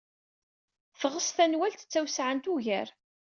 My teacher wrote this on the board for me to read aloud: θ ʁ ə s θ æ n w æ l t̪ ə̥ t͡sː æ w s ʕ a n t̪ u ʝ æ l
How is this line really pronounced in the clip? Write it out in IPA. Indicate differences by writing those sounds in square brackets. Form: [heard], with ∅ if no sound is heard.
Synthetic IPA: θ ʁ ə s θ æ n w æ l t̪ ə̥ t͡sː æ w s ʕ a n t̪ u ʝ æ [ɾ]